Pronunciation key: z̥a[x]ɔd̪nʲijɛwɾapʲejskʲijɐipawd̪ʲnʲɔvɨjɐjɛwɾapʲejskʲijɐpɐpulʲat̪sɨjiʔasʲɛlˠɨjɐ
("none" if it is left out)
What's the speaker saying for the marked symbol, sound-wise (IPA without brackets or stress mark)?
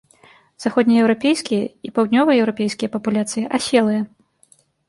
x